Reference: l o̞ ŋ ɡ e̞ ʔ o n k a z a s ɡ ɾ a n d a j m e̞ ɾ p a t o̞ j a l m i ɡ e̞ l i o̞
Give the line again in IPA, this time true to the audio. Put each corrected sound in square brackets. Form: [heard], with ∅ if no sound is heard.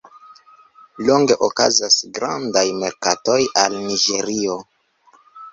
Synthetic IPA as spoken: l o̞ ŋ ɡ e̞ ʔ o [∅] k a z a s ɡ ɾ a n d a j m e̞ ɾ [k] a t o̞ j a l [n] i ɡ e̞ [ɾ] i o̞